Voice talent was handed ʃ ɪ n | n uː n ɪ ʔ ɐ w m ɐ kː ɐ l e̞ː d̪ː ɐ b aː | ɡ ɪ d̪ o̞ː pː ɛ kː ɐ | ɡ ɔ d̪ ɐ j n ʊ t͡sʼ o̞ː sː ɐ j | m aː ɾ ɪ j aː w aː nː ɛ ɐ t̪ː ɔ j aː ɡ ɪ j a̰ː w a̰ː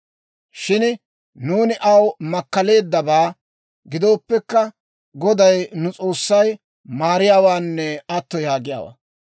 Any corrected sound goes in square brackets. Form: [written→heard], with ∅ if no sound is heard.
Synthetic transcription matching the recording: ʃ ɪ n | n uː n ɪ ʔ ɐ w m ɐ kː ɐ l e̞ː d̪ː ɐ b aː | ɡ ɪ d̪ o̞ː pː ɛ kː ɐ | ɡ ɔ d̪ ɐ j n ʊ t͡sʼ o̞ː sː ɐ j | m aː ɾ ɪ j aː w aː nː ɛ ɐ t̪ː ɔ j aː ɡ ɪ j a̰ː w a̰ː

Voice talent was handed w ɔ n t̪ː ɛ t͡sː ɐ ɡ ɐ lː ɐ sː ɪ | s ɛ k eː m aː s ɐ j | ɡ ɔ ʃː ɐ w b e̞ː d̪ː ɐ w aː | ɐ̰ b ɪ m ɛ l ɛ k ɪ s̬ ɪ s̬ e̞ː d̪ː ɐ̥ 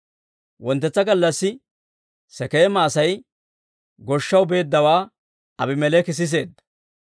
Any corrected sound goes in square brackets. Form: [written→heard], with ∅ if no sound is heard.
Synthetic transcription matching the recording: w ɔ n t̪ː ɛ t͡sː ɐ ɡ ɐ lː ɐ sː ɪ | s ɛ k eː m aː s ɐ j | ɡ ɔ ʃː ɐ w b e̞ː d̪ː ɐ w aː | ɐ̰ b ɪ m ɛ l ɛ k ɪ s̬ ɪ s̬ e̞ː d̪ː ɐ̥

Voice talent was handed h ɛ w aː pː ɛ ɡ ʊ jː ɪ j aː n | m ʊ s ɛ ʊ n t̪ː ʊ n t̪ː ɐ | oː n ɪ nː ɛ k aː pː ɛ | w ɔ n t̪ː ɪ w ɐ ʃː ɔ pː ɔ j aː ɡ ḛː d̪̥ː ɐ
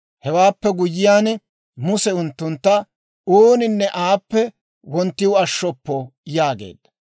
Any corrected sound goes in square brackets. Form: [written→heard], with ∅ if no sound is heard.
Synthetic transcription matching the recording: h ɛ w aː pː ɛ ɡ ʊ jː ɪ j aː n | m ʊ s ɛ ʊ n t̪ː ʊ n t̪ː ɐ | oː n ɪ nː ɛ [k→ʔ] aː pː ɛ | w ɔ n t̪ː ɪ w ɐ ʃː ɔ pː ɔ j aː ɡ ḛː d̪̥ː ɐ

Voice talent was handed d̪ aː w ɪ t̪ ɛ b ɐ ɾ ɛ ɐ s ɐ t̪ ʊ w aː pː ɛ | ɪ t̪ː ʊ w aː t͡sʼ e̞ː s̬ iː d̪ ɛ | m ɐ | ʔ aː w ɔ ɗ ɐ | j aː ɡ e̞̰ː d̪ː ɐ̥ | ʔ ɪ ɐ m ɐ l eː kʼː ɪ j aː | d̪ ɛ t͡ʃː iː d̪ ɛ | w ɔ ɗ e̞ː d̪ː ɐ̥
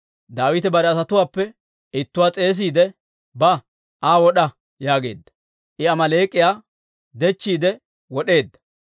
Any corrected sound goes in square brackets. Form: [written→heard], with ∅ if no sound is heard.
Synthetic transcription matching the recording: d̪ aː w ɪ t̪ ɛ b ɐ ɾ ɛ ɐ s ɐ t̪ ʊ w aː pː ɛ | ɪ t̪ː ʊ w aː t͡sʼ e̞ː s̬ iː d̪ ɛ | [m→b] ɐ | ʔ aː w ɔ ɗ ɐ | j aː ɡ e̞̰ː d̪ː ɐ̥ | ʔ ɪ ɐ m ɐ l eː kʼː ɪ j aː | d̪ ɛ t͡ʃː iː d̪ ɛ | w ɔ ɗ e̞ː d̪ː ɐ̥

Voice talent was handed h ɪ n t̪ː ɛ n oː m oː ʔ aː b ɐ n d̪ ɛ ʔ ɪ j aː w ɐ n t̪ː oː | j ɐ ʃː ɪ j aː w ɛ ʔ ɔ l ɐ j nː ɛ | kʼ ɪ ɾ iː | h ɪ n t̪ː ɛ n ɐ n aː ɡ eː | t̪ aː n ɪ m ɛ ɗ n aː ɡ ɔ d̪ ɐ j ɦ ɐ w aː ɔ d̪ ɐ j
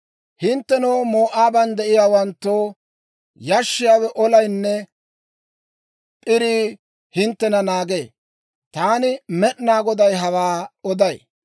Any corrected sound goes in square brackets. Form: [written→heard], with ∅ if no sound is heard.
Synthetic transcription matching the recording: h ɪ n t̪ː ɛ n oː m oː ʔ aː b ɐ n d̪ ɛ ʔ ɪ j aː w ɐ n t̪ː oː | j ɐ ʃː ɪ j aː w ɛ ʔ ɔ l ɐ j nː ɛ | [kʼ→pʼ] ɪ ɾ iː | h ɪ n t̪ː ɛ n ɐ n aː ɡ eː | t̪ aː n ɪ m ɛ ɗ n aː ɡ ɔ d̪ ɐ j ɦ ɐ w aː ɔ d̪ ɐ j

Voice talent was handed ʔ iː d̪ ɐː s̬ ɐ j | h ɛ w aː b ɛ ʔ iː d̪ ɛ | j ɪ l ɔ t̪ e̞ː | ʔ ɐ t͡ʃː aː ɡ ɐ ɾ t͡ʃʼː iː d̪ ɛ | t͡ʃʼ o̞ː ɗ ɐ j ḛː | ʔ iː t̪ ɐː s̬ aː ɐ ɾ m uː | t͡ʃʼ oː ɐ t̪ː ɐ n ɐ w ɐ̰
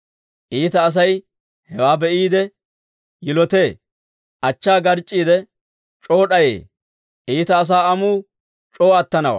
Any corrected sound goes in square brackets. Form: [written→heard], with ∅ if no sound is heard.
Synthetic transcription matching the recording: ʔ iː [d̪→t̪] ɐː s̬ ɐ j | h ɛ w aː b ɛ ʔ iː d̪ ɛ | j ɪ l ɔ t̪ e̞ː | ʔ ɐ t͡ʃː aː ɡ ɐ ɾ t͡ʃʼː iː d̪ ɛ | t͡ʃʼ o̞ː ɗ ɐ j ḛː | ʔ iː t̪ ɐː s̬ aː ɐ [ɾ→∅] m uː | t͡ʃʼ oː ɐ t̪ː ɐ n ɐ w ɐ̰

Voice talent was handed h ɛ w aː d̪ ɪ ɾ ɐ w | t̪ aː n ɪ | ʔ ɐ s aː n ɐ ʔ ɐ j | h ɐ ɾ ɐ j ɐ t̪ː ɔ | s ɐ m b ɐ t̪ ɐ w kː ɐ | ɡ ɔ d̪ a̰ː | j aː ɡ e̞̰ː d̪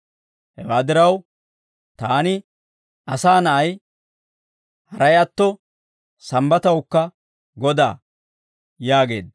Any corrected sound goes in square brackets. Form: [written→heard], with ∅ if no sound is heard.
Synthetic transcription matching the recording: h ɛ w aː d̪ ɪ ɾ ɐ w | t̪ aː n ɪ | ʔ ɐ s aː n ɐ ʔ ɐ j | h ɐ ɾ ɐ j ɐ t̪ː ɔ | s ɐ m b ɐ t̪ ɐ w kː ɐ | ɡ ɔ d̪ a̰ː | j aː ɡ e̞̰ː d̪

